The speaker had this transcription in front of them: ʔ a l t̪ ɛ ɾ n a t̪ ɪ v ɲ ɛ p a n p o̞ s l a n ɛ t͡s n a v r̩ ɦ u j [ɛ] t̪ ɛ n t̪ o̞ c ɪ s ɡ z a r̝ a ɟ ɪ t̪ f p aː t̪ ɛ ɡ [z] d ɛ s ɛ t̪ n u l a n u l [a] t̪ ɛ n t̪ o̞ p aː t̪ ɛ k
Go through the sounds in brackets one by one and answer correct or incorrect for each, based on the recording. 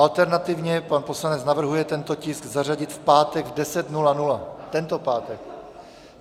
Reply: correct, incorrect, correct

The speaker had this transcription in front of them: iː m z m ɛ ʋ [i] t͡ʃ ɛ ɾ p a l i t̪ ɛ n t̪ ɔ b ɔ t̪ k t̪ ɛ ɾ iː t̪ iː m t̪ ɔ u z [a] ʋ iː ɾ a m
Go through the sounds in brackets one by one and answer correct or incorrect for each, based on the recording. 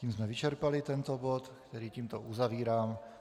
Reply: correct, correct

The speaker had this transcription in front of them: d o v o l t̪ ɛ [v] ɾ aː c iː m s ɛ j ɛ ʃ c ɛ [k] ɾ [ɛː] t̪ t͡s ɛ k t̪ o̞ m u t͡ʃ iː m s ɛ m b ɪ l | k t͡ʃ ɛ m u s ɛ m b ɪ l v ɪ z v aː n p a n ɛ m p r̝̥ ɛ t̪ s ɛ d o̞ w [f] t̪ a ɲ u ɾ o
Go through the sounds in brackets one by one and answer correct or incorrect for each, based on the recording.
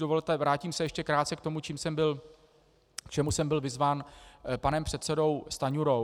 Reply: correct, correct, incorrect, incorrect

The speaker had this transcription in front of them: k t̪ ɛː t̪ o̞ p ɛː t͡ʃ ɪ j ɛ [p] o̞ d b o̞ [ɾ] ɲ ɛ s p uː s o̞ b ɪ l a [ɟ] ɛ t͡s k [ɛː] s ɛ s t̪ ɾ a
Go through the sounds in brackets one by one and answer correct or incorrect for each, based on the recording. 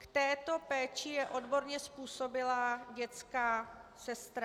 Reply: incorrect, correct, correct, incorrect

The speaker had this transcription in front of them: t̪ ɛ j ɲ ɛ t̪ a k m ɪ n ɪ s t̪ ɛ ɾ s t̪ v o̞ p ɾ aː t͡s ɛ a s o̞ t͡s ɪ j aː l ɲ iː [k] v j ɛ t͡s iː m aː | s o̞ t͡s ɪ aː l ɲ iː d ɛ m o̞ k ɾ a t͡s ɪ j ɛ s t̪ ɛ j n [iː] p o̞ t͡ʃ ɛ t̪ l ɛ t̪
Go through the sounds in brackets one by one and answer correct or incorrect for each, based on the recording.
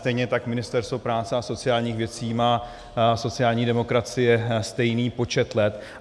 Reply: incorrect, correct

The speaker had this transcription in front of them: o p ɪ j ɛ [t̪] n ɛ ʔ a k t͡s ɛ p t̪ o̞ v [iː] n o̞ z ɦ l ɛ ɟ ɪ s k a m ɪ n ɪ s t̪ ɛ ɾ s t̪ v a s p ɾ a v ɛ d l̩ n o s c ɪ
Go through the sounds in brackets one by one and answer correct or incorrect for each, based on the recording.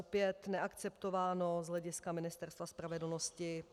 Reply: correct, incorrect

